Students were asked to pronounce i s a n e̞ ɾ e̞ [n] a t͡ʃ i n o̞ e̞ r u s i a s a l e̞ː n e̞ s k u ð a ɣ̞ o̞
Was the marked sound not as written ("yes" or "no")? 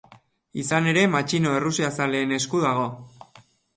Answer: yes